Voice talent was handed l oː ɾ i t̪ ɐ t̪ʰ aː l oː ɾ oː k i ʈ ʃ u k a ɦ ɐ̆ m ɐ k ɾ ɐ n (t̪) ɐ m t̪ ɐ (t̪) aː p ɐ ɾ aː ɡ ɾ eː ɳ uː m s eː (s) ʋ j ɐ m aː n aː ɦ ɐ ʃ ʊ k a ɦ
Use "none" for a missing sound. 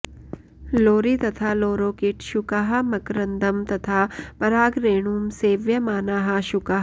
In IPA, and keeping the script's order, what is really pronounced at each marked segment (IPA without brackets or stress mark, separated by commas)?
d̪, t̪ʰ, none